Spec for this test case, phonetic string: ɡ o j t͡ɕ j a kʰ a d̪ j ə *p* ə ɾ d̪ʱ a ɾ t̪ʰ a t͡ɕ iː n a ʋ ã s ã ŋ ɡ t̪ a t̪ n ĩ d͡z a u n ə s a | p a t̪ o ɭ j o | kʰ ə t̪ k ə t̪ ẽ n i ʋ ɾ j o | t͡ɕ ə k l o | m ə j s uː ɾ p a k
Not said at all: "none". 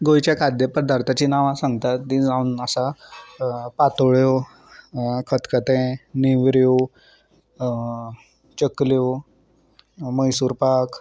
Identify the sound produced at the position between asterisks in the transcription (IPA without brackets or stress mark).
p